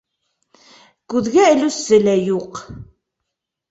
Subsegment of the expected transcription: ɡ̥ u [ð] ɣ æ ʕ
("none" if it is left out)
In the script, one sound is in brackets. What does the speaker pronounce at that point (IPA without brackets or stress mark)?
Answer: ð